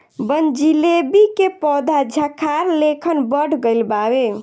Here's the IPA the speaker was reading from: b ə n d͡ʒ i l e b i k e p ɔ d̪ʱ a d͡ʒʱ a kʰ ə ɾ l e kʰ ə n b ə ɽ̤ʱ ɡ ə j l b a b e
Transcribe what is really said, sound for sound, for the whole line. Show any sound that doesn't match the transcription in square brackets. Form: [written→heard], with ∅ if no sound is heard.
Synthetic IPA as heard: b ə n d͡ʒ i l e b i k e p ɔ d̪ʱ a d͡ʒʱ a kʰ [ə→a] ɾ l e kʰ ə n b ə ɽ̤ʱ ɡ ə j l b a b e